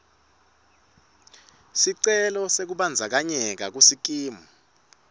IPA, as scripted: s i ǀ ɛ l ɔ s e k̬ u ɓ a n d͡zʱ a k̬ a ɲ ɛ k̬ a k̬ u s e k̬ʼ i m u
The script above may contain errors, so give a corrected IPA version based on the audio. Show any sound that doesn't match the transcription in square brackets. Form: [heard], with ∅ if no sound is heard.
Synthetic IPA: s i ǀ ɛ l ɔ s e k̬ u ɓ a n d͡zʱ a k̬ a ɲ ɛ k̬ a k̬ u s [i] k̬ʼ [iː] m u